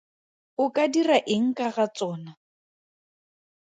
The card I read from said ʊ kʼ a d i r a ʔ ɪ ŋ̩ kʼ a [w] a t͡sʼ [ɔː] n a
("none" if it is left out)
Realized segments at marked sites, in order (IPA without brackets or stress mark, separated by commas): ɣ, ɔː